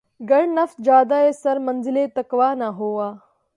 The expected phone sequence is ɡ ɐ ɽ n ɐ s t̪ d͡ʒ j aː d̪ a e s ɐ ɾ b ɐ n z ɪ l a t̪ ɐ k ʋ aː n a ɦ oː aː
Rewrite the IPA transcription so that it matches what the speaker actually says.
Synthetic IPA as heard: ɡ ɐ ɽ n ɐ f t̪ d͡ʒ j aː d̪ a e s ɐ ɾ m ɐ n z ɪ l e t̪ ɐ k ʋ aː n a ɦ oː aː